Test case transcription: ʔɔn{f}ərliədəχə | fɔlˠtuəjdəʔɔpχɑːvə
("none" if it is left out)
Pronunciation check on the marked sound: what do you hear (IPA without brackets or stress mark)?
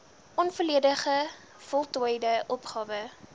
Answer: f